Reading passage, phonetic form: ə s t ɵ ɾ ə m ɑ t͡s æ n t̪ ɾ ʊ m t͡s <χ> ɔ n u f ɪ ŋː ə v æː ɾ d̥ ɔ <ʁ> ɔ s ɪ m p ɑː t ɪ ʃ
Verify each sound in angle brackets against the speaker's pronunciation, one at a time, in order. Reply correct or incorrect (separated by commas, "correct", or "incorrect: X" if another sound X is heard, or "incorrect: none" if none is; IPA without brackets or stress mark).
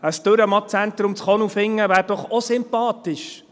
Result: correct, incorrect: χ